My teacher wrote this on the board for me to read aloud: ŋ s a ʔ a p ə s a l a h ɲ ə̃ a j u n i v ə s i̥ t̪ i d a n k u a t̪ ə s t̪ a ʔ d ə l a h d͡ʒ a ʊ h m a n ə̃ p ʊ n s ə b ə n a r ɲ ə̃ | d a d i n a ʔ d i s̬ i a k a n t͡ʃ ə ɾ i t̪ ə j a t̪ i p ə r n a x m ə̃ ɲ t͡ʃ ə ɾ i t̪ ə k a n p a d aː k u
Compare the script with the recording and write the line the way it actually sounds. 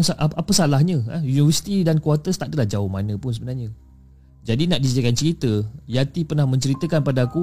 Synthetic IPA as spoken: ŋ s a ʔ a p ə s a l a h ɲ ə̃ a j u n i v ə s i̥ t̪ i d a n k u a t̪ ə s t̪ a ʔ d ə l a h d͡ʒ a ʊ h m a n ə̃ p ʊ n s ə b ə n a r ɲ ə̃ | d͡ʒ a d i n a ʔ d i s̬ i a k a n t͡ʃ ə ɾ i t̪ ə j a t̪ i p ə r n a h m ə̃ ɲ t͡ʃ ə ɾ i t̪ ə k a n p a d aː k u